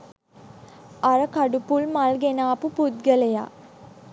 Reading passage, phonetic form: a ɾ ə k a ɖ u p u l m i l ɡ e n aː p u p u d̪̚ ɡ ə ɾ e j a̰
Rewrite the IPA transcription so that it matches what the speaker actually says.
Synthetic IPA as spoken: a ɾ ə k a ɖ u p u l m a l ɡ e n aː p u p u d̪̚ ɡ ə l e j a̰

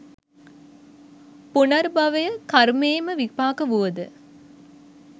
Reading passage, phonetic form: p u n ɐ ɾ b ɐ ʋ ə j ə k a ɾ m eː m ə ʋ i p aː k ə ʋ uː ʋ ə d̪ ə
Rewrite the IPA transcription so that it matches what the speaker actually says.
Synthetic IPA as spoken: p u n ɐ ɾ b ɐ ʋ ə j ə k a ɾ m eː m ə ʋ i p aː k ə ʋ u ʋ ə d̪ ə

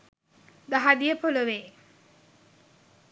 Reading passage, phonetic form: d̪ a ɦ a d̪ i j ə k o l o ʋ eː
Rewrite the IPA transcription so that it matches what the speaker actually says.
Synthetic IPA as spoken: d̪ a ɦ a d̪ i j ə p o l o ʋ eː

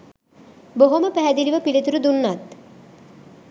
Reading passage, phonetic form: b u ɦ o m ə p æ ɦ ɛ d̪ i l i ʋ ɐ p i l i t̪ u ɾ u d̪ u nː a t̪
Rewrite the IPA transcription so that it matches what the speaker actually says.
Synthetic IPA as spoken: b o ɦ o m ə p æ ɦ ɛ d̪ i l i ʋ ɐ p i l i t̪ u ɾ u d̪ u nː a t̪

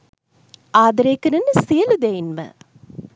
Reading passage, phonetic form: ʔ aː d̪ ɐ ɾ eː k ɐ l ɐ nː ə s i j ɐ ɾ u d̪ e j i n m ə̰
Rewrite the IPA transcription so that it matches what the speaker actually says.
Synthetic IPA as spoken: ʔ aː d̪ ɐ ɾ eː k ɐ ɾ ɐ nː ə s i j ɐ l u d̪ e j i n m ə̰

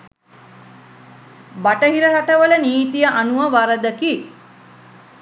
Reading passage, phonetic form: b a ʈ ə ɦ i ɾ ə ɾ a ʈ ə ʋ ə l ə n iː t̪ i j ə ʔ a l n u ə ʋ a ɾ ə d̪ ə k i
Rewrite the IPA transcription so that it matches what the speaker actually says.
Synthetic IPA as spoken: b a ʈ ə ɦ i ɾ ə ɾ a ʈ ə ʋ ə l ə n iː t̪ i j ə ʔ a n u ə ʋ a ɾ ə d̪ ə k i

